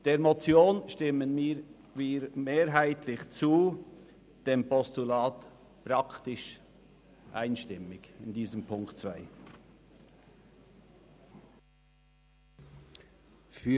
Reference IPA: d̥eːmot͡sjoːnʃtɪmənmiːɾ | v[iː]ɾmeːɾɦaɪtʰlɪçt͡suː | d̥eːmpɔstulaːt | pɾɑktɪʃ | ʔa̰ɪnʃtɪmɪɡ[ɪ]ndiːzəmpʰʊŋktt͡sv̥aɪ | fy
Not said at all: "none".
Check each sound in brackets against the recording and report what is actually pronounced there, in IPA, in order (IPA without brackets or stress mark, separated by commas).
iː, ɪ